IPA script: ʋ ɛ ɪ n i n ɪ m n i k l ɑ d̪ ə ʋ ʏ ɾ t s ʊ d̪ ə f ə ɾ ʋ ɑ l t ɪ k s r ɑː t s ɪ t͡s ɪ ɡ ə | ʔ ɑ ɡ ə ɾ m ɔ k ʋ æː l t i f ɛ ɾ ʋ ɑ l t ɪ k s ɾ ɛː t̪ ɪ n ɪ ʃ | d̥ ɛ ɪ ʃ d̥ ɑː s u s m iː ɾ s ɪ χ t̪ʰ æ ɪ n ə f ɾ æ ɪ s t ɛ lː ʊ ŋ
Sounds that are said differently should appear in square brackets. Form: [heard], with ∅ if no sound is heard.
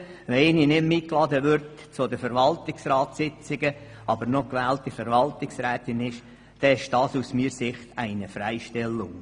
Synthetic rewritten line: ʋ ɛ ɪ n i n ɪ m [m] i k l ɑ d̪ ə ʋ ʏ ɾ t [t͡s] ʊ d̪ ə f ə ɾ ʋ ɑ l t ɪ k s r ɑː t s ɪ t͡s ɪ ɡ ə | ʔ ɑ [b] ə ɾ [n] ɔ k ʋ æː l t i f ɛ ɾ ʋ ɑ l t ɪ k s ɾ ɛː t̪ ɪ n ɪ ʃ | d̥ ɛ ɪ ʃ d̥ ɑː s u s m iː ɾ s ɪ χ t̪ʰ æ ɪ n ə f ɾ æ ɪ [ʃ] t ɛ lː ʊ ŋ